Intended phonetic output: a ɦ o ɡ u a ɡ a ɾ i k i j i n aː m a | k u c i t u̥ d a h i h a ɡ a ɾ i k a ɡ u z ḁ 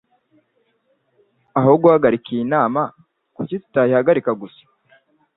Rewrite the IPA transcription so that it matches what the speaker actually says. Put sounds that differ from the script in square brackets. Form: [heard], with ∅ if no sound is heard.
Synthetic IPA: a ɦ o ɡ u a ɡ a ɾ i k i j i n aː m a | k u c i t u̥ [t] a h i h a ɡ a ɾ i k a ɡ u [s] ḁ